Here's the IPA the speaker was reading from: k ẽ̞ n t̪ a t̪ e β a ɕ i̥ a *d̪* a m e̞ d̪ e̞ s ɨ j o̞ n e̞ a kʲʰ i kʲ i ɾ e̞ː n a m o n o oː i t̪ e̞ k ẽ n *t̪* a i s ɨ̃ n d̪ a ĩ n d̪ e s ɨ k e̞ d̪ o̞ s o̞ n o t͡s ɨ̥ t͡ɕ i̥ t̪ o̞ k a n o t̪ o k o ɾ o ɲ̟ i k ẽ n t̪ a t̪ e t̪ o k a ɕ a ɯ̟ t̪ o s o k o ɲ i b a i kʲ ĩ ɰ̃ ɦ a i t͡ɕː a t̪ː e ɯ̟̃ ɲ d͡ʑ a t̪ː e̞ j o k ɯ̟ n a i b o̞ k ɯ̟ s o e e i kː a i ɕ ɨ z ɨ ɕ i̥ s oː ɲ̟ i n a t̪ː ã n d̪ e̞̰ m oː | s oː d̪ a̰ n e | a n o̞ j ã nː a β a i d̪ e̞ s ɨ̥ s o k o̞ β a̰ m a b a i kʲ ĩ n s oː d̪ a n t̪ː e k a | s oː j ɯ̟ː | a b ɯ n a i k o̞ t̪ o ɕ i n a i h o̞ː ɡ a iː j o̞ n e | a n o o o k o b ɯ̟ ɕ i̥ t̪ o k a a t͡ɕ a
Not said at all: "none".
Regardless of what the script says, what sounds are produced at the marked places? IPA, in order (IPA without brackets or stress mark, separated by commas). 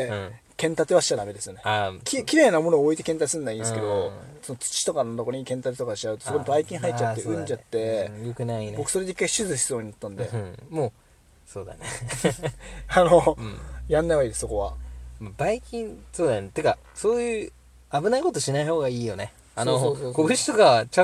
d̪, t̪